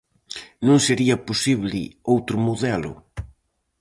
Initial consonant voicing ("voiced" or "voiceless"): voiced